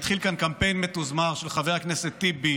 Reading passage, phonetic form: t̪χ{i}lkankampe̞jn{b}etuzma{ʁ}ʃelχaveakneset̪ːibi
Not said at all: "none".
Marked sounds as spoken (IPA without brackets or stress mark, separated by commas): i, m, ʁ